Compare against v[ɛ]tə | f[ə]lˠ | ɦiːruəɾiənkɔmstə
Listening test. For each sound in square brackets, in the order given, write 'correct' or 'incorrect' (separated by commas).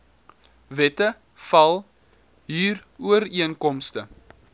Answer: correct, incorrect